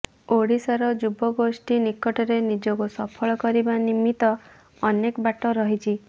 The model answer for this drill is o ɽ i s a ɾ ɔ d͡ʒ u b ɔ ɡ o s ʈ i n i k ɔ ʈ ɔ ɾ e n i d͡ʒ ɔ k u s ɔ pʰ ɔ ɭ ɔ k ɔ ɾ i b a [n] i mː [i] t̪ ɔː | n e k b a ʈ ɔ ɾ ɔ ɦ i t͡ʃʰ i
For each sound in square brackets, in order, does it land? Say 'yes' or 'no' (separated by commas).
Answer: yes, yes